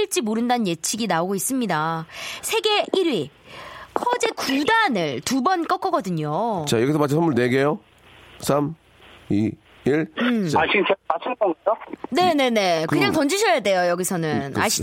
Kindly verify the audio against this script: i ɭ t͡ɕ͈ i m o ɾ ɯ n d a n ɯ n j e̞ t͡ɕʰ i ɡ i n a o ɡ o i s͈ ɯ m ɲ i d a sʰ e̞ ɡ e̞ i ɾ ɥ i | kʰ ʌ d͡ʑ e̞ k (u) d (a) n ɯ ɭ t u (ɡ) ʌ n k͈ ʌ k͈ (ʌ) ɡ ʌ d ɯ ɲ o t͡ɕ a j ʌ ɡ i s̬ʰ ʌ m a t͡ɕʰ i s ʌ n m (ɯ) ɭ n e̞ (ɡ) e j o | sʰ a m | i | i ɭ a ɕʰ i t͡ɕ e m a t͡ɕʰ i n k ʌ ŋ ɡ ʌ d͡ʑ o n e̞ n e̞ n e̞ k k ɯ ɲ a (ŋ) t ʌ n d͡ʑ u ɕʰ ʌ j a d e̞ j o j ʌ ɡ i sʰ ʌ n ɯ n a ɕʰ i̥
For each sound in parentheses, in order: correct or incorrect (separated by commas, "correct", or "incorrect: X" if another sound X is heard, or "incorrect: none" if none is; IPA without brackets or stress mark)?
correct, correct, incorrect: b, correct, incorrect: u, correct, correct